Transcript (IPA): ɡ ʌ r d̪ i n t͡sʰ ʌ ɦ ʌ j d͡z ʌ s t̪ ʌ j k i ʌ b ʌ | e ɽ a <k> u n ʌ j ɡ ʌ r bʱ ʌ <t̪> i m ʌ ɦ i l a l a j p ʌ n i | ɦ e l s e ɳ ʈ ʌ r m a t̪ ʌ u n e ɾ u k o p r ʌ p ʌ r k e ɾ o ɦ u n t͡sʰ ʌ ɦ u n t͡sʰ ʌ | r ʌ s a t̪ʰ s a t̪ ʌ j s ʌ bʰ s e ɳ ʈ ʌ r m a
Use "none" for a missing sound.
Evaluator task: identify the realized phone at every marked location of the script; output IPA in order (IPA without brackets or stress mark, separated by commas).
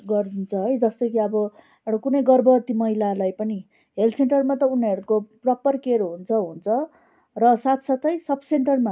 k, t̪